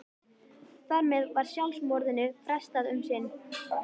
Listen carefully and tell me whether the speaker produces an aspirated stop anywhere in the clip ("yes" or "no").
no